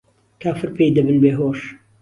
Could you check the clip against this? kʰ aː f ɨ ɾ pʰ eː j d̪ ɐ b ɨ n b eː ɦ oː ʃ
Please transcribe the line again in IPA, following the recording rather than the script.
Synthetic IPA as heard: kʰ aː f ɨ ɾ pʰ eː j d̪ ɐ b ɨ n b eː ɦ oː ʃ